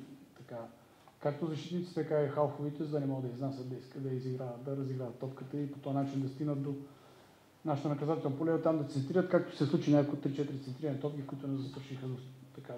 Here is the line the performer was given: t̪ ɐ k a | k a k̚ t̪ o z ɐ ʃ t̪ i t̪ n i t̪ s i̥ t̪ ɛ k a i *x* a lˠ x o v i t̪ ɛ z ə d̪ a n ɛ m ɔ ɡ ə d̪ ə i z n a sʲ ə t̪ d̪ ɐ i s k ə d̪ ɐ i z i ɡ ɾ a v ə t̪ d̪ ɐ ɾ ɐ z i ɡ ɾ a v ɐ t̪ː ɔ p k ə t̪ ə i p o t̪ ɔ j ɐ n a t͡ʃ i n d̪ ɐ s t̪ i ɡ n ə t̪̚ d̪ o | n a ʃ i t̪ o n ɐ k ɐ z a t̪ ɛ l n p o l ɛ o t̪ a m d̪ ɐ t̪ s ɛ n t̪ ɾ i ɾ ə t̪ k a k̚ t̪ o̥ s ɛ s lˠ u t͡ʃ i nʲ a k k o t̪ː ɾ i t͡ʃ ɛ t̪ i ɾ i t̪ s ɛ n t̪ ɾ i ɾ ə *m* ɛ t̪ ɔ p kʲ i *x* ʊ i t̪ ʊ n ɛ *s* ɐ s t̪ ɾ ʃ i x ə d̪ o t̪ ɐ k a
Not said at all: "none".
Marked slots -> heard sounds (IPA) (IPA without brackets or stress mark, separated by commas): x, n, k, z